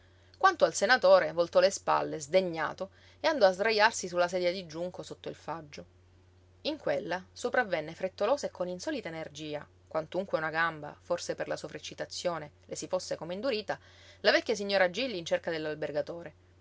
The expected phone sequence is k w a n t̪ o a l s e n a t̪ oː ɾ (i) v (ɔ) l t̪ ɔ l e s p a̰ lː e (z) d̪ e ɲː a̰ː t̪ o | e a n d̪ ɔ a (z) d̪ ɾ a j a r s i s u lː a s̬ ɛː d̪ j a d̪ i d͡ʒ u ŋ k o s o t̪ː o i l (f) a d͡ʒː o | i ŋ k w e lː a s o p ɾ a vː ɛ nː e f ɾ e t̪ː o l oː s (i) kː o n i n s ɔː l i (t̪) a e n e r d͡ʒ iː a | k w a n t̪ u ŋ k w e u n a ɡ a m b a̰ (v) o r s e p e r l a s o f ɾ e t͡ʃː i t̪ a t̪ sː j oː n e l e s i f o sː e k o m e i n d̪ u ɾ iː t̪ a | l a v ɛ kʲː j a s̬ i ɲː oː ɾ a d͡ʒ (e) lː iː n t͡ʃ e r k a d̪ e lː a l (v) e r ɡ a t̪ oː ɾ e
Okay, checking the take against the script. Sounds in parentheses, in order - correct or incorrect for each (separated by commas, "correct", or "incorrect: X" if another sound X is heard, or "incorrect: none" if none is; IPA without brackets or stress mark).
incorrect: e, incorrect: o, correct, correct, correct, incorrect: e, correct, incorrect: f, incorrect: i, incorrect: b